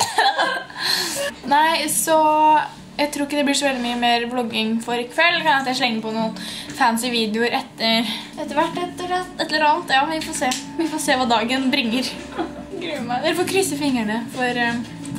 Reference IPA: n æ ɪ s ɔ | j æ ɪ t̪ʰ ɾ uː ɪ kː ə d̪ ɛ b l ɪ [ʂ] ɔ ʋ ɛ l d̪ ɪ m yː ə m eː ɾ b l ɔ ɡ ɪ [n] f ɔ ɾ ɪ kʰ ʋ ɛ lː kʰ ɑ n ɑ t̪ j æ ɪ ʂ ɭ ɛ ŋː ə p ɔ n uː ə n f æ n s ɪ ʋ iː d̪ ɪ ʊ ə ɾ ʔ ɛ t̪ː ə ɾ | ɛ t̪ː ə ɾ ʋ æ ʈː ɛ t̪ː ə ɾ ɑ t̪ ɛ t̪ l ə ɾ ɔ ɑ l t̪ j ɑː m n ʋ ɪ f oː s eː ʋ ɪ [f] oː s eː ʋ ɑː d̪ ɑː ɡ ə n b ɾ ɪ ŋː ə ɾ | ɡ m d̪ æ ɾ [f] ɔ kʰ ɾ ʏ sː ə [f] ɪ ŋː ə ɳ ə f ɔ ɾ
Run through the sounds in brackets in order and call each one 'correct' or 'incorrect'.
correct, incorrect, correct, correct, correct

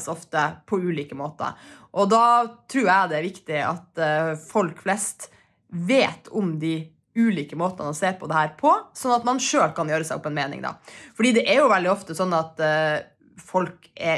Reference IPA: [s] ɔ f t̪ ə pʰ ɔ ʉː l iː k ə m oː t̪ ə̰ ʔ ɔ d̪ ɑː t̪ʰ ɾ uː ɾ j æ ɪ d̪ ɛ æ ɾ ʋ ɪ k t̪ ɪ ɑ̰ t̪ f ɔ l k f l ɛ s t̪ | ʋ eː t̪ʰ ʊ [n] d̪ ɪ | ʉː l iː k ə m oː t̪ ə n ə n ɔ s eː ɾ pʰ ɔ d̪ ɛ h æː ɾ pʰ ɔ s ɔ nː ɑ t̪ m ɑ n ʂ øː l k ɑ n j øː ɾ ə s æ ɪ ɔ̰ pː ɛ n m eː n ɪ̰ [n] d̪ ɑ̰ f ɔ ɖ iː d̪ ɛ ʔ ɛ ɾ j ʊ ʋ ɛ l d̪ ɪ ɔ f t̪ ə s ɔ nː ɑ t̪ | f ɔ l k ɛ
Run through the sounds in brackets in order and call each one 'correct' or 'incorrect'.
correct, incorrect, incorrect

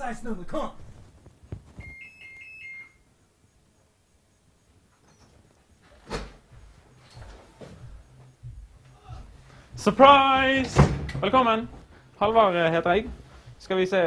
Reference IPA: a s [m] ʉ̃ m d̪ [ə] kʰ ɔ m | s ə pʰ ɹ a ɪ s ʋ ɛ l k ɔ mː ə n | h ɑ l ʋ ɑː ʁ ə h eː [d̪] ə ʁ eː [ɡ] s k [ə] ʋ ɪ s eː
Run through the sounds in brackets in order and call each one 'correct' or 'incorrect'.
incorrect, correct, incorrect, correct, incorrect

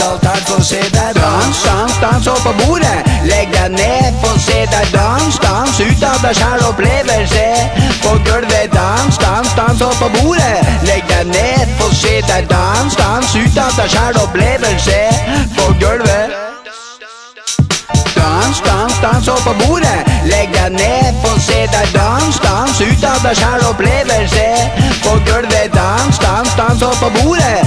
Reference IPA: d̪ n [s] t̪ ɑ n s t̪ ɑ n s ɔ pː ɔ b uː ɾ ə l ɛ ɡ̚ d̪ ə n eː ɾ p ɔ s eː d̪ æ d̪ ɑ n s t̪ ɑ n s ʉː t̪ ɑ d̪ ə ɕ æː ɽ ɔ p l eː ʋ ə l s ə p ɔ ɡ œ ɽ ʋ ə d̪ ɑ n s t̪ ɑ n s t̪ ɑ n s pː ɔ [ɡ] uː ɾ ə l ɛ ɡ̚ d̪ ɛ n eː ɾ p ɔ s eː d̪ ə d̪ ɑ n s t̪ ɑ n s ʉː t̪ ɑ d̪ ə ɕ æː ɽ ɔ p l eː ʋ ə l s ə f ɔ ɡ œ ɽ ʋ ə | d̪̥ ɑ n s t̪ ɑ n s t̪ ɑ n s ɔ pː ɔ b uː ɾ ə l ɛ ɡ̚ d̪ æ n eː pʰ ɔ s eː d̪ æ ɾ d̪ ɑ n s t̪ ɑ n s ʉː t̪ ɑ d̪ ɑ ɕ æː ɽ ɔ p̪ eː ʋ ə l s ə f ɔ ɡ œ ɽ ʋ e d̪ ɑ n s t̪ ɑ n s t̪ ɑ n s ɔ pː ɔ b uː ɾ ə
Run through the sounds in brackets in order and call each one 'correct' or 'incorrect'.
correct, incorrect

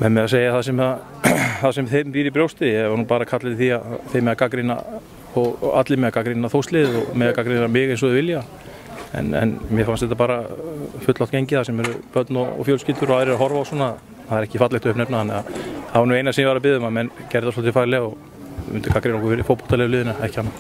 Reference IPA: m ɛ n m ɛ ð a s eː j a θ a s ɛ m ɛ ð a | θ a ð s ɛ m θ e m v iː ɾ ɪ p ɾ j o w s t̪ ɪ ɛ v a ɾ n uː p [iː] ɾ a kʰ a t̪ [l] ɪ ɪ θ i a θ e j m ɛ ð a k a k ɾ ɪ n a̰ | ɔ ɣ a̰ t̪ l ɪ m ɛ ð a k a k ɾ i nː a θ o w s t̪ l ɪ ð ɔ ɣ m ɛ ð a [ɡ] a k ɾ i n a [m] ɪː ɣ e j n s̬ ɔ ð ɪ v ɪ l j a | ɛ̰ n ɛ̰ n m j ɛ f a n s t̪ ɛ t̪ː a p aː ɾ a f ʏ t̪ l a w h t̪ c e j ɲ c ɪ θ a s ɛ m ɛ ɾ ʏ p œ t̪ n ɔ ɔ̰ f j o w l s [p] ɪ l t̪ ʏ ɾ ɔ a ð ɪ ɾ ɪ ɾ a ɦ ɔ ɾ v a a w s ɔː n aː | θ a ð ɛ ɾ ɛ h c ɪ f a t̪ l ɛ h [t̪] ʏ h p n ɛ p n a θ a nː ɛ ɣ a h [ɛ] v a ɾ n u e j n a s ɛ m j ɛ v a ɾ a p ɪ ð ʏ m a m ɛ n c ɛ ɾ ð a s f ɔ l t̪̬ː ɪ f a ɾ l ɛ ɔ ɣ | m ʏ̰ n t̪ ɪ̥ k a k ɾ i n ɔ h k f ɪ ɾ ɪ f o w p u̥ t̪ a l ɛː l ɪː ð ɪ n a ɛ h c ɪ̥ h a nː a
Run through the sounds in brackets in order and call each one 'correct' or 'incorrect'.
incorrect, correct, incorrect, correct, incorrect, correct, incorrect

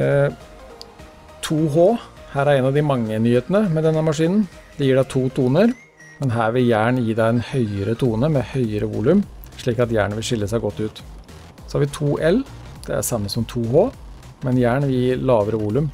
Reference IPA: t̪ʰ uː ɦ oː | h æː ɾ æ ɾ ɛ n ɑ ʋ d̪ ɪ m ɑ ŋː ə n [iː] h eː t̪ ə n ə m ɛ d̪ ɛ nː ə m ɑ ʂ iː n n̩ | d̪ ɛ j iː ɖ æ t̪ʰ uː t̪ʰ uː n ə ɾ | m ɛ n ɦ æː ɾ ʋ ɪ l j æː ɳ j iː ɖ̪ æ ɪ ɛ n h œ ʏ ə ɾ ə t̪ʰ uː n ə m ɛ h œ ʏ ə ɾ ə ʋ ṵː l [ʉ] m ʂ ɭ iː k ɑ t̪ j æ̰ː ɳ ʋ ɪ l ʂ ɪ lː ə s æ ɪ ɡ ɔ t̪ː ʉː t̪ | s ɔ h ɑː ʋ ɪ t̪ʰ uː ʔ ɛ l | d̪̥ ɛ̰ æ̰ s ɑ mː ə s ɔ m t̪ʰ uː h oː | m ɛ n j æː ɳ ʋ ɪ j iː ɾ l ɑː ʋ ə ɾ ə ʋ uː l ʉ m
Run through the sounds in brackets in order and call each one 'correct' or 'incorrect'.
incorrect, correct

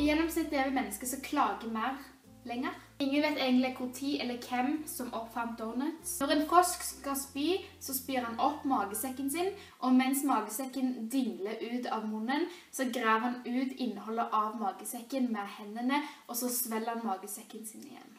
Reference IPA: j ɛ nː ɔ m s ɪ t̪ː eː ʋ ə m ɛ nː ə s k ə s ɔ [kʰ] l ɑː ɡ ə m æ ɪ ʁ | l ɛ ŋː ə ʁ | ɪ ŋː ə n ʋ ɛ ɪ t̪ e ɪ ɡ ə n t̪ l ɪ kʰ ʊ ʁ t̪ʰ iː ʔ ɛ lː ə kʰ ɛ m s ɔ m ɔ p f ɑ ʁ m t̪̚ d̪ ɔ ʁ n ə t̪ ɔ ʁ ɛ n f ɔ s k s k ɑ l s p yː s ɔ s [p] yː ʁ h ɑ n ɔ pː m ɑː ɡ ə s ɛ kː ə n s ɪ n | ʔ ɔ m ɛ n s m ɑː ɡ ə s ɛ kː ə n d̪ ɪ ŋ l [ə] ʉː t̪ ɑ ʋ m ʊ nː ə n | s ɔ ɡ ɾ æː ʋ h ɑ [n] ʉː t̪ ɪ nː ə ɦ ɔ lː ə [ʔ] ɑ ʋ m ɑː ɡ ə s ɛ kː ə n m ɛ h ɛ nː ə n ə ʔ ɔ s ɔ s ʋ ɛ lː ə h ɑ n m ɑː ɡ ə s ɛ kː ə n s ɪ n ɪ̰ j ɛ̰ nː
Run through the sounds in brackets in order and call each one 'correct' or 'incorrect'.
correct, correct, correct, correct, correct

